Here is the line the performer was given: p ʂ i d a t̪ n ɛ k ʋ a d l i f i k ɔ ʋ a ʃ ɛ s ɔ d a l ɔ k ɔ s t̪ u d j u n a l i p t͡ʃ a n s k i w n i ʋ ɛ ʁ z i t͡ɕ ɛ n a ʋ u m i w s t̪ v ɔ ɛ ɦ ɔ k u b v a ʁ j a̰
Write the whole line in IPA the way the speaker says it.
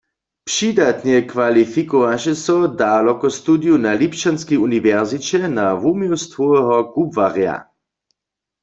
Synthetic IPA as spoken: p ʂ i d a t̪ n ɛ k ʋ a l i f i k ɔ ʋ a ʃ ɛ s ɔ d a l ɔ k ɔ s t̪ u d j u n a l i p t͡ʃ a n s k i u n i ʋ ɛ ʁ z i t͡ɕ ɛ n a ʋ u m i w s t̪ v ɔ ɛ ɦ ɔ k u b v a ʁ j a̰